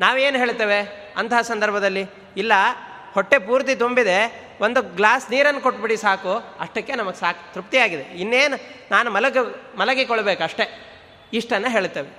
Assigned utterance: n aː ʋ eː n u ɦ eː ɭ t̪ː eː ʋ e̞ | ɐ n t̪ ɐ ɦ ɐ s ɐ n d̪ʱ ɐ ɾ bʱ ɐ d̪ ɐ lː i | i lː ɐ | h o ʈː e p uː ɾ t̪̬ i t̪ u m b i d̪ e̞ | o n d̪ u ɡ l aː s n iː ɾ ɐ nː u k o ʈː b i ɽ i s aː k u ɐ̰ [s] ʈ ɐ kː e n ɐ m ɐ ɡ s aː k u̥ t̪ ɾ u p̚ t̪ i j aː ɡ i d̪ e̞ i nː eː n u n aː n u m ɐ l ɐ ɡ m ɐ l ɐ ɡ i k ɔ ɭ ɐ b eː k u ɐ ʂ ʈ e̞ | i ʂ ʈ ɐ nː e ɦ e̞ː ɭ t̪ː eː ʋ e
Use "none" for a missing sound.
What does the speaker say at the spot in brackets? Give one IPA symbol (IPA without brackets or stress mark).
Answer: ʂ